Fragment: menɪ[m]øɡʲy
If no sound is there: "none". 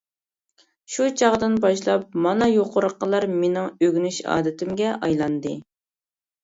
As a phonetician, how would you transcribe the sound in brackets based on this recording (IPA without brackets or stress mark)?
ŋ